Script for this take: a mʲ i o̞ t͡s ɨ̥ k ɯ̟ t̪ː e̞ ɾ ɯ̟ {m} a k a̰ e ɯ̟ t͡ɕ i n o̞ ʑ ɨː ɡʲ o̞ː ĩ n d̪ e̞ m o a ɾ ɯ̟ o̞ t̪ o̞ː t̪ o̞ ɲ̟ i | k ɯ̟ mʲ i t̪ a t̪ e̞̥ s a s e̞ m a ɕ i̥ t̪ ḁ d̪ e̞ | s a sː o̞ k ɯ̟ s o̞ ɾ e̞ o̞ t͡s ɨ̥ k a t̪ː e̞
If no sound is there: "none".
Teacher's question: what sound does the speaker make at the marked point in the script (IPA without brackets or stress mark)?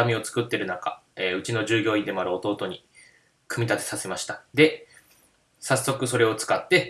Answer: n